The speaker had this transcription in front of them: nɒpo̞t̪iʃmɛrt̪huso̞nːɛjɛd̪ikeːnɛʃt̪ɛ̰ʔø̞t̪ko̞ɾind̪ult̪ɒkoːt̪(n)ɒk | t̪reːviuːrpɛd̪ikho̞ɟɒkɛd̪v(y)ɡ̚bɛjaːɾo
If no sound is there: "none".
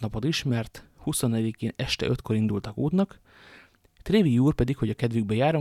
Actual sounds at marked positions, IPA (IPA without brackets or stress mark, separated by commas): n, y